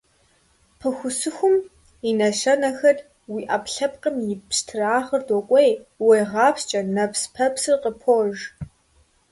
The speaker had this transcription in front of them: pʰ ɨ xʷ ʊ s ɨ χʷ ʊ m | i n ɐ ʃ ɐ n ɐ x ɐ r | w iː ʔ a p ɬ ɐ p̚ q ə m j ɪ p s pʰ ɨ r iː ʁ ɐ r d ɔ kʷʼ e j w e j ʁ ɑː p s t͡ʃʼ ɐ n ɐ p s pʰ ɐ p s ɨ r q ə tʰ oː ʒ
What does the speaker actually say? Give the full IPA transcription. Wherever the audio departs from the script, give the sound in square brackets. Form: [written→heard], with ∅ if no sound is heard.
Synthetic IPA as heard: pʰ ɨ xʷ ʊ s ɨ [χʷ→xʷ] ʊ m | i n ɐ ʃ ɐ n ɐ x ɐ r | w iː ʔ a p ɬ ɐ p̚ q ə m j ɪ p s [pʰ→tʰ] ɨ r [iː→aː] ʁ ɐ r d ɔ kʷʼ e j w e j ʁ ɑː p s t͡ʃʼ ɐ n ɐ p s pʰ ɐ p s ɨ r q ə [tʰ→pʰ] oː ʒ